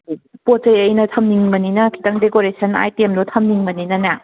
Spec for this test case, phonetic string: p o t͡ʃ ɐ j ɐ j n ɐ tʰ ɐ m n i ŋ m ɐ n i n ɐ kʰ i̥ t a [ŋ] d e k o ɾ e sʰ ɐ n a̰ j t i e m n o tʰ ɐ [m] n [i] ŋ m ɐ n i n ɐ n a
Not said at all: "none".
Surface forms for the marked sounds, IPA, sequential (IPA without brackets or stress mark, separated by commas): ŋ, m, i